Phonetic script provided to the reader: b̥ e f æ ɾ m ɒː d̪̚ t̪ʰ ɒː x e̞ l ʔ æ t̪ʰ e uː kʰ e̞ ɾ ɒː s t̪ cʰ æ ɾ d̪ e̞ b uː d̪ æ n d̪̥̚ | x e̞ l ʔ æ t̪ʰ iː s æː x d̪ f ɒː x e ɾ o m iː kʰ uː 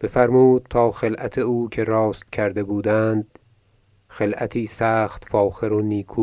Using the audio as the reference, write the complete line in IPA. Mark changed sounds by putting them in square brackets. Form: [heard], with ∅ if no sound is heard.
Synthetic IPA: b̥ e f æ ɾ m [uː] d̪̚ t̪ʰ ɒː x e̞ l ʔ æ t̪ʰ e uː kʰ e̞ ɾ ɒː s t̪ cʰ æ ɾ d̪ e̞ b uː d̪ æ n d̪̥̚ | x e̞ l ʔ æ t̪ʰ iː s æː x [t̪] f ɒː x e ɾ o [n] iː kʰ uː